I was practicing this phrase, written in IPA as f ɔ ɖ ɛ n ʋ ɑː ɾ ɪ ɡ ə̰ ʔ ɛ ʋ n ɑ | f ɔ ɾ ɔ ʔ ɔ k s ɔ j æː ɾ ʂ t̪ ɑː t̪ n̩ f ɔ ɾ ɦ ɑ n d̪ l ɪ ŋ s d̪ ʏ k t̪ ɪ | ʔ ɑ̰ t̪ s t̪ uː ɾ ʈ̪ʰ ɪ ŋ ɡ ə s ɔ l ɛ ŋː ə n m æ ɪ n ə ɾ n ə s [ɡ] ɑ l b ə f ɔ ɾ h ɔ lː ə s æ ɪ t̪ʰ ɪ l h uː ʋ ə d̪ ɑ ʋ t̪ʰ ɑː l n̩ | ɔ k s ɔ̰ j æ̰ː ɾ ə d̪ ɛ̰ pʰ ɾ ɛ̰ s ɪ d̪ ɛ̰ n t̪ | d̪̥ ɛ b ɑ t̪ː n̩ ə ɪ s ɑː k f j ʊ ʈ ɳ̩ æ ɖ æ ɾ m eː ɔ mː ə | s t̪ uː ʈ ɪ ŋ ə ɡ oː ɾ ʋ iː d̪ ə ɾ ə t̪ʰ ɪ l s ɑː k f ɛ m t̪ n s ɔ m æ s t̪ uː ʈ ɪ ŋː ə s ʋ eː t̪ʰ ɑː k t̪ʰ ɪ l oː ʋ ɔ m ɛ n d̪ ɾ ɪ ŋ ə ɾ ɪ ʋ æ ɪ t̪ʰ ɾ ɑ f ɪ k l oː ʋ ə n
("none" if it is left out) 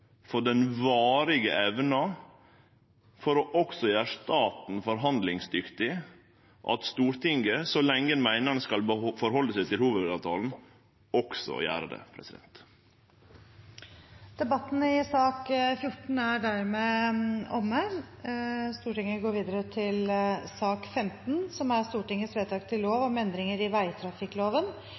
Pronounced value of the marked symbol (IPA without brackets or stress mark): k